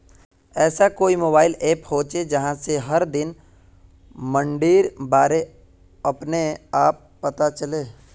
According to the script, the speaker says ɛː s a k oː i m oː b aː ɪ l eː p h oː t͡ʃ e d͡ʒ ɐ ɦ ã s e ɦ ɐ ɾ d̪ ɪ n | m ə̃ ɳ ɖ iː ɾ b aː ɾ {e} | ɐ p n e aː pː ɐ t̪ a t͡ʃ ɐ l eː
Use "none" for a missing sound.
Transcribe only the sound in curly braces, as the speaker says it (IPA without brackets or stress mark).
e